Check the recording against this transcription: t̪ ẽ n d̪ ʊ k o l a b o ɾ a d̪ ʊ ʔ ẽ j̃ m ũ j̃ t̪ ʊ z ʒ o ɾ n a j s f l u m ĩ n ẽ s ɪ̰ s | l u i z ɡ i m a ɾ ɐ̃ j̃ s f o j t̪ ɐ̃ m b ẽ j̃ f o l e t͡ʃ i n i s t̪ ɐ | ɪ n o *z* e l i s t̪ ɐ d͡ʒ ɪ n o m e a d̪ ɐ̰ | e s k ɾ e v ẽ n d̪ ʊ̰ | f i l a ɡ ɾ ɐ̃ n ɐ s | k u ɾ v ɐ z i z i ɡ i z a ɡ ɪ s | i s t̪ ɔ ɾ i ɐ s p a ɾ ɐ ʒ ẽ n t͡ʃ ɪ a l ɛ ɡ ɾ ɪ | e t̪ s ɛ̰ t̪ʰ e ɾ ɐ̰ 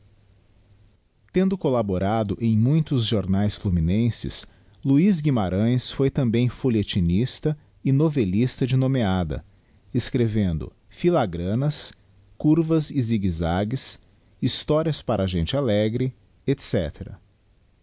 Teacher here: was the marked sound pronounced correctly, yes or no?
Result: no